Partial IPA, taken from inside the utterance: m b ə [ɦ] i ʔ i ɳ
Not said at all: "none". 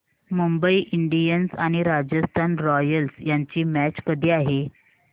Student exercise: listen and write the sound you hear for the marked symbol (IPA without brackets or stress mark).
none